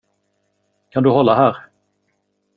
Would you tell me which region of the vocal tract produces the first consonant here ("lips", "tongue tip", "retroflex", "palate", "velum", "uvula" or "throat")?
velum